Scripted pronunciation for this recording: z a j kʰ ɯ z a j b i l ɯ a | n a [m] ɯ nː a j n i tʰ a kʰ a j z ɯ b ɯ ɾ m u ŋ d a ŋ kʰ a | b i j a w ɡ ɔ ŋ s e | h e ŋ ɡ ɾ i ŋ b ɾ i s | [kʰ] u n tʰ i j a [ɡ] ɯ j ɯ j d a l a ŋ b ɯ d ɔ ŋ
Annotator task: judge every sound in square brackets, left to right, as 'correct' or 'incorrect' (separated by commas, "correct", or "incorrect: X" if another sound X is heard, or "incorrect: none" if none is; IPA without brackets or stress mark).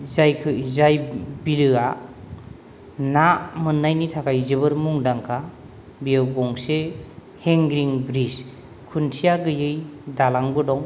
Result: correct, correct, correct